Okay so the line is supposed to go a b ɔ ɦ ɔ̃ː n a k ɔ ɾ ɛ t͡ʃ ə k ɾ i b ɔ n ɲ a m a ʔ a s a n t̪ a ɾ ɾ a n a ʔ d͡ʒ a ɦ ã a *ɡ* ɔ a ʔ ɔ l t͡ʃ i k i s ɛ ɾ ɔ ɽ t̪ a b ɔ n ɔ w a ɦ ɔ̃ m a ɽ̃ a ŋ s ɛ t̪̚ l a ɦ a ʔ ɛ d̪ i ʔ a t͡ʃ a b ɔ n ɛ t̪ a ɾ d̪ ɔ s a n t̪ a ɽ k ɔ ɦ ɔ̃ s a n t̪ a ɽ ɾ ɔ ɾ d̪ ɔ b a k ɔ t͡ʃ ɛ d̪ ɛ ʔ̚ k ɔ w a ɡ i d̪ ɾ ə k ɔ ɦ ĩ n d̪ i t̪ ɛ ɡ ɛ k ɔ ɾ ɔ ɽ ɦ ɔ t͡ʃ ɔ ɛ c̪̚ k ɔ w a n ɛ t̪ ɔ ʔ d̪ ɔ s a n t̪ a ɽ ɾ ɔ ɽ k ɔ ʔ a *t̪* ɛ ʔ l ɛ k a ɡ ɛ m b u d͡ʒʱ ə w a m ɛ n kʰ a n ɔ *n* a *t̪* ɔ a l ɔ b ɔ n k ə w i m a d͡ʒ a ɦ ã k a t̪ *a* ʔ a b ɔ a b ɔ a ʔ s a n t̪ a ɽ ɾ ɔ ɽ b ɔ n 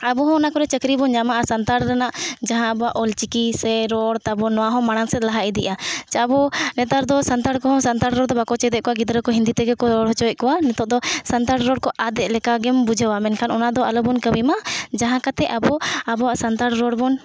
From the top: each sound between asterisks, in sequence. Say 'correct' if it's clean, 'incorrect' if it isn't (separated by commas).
incorrect, incorrect, correct, incorrect, incorrect